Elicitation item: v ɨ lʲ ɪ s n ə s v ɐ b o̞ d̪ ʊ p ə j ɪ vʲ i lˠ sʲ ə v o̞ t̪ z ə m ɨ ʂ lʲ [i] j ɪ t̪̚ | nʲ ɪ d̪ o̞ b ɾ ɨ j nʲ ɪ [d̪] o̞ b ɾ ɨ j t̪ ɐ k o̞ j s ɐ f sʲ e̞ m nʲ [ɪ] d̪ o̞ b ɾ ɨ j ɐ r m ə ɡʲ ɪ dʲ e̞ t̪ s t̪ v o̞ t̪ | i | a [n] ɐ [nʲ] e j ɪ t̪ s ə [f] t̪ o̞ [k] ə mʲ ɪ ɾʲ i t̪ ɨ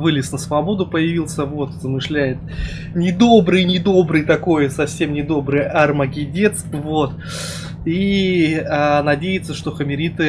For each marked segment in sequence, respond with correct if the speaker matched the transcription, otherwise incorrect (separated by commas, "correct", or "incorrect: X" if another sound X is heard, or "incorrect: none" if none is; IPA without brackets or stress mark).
incorrect: æ, correct, correct, correct, incorrect: dʲ, incorrect: ʂ, incorrect: x